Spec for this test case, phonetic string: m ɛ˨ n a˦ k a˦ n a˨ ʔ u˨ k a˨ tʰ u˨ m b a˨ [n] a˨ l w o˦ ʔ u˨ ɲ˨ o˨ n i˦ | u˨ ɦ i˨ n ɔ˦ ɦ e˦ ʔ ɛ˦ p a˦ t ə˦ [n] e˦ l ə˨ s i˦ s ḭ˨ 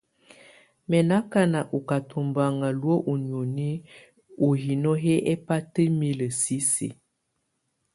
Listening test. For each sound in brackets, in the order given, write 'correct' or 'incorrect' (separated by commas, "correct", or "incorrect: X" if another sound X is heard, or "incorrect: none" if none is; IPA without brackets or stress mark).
incorrect: ŋ, incorrect: m